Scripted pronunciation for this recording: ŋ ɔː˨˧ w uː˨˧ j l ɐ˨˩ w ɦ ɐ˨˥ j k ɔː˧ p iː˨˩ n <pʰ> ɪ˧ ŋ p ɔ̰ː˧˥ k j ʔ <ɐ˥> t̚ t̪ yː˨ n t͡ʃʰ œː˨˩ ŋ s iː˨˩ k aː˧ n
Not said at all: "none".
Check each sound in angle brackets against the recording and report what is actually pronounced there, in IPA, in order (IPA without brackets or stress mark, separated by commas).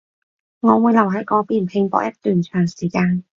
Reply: pʰ, ɐ˥